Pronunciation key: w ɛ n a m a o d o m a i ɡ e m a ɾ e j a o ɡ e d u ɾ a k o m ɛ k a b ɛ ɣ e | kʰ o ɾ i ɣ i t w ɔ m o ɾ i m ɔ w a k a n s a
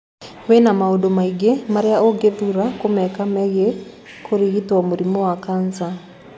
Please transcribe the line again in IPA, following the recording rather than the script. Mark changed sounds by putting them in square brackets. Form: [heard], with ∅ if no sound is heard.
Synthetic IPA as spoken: w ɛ n a m a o d o m a i ɡ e m a ɾ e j a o ɡ e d u ɾ a k o m ɛ k a [m] ɛ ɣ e | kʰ o ɾ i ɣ i t w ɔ m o ɾ i m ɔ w a k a n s a